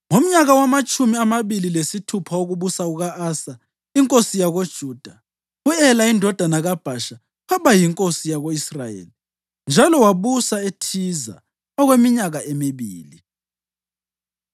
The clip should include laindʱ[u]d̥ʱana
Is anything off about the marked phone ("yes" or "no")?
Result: yes